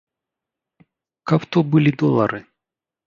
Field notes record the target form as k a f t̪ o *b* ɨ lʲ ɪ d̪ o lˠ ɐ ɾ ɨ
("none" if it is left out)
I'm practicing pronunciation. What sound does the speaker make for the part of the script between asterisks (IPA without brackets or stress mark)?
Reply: b